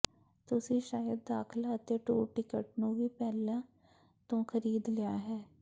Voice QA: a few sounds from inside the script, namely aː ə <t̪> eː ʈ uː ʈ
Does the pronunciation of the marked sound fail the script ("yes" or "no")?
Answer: no